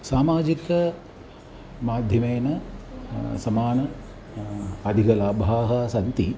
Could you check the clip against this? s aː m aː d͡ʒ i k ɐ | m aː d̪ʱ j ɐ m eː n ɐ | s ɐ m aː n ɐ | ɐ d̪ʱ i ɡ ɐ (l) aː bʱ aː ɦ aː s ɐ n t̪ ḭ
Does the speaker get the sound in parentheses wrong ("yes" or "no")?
no